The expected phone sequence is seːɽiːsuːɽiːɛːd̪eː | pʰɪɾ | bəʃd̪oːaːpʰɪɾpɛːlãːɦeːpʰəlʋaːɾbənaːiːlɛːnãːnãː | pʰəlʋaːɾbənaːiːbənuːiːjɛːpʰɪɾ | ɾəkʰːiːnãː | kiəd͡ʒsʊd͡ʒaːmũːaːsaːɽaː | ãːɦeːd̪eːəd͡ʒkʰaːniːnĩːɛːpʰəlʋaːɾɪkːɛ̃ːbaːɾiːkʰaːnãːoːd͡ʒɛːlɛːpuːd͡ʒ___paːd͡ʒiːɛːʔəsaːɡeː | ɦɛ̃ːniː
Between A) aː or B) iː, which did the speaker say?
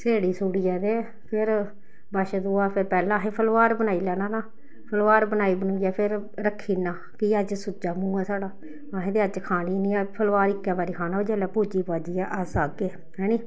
B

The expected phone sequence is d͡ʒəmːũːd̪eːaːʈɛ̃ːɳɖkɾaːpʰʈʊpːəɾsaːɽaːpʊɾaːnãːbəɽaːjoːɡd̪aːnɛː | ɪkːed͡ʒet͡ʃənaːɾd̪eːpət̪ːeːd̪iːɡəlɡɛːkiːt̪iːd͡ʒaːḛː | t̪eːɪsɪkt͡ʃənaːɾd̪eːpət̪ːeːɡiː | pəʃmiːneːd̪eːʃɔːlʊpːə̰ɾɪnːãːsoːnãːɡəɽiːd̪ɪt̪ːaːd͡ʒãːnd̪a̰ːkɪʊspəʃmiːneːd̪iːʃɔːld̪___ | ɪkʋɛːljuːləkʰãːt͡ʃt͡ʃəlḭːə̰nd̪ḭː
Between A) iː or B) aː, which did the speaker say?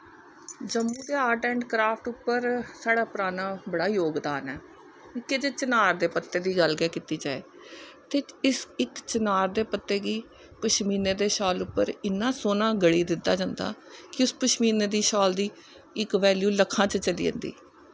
A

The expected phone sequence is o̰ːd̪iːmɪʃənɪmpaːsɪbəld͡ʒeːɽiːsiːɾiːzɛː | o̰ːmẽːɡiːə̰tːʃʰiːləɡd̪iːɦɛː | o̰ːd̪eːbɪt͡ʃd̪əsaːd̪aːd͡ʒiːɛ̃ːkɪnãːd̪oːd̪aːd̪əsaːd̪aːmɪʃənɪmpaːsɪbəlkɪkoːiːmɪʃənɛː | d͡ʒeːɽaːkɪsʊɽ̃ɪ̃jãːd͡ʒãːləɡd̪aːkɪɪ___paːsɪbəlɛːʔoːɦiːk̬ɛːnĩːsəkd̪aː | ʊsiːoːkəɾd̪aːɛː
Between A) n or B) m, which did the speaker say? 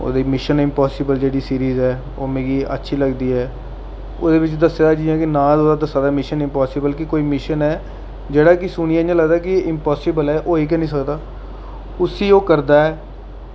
B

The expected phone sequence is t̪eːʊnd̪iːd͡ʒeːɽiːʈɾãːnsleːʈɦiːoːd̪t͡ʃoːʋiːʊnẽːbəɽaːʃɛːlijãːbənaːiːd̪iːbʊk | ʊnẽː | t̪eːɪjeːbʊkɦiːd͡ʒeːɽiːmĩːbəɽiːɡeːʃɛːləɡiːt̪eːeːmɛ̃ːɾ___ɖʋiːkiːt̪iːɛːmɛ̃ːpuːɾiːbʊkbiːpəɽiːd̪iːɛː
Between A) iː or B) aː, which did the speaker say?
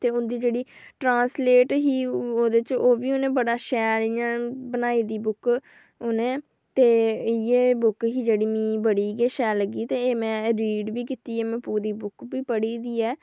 A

